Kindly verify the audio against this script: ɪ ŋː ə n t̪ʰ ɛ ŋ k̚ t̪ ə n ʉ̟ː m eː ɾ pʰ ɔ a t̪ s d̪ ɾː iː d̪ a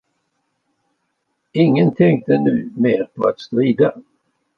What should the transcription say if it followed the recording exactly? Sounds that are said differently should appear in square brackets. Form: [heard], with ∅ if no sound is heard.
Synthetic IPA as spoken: ɪ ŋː ə n t̪ʰ ɛ ŋ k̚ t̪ ə n ʉ̟ː m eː ɾ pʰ ɔ a t̪ s [t̪] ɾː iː d̪ a